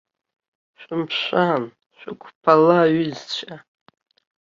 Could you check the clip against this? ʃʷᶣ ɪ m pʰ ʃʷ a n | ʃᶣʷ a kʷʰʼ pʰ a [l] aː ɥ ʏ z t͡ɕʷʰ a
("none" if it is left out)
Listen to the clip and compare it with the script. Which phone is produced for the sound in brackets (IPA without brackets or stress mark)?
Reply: l